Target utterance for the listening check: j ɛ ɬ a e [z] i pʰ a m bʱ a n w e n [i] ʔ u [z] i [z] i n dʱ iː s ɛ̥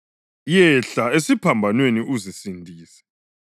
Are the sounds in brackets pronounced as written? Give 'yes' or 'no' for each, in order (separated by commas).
no, yes, yes, no